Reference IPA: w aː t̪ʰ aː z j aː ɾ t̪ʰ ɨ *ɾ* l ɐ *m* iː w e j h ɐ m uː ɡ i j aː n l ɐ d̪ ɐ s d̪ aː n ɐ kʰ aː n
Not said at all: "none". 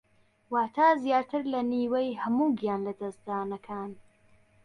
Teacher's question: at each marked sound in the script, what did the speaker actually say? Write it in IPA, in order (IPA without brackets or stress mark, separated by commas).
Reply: ɾ, n